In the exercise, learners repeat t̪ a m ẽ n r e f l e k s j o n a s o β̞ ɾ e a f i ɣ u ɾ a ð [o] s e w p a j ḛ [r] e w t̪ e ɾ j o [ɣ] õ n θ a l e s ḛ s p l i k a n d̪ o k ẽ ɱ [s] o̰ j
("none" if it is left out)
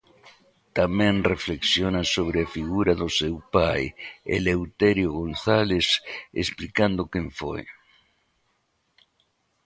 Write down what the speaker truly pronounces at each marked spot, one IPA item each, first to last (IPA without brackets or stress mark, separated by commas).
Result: o, l, ɣ, f